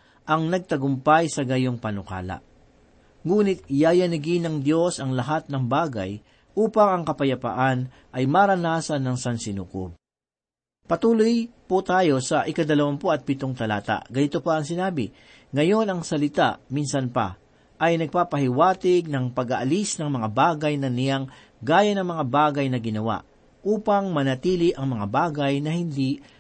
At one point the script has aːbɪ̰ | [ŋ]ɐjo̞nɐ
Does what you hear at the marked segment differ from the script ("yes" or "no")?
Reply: no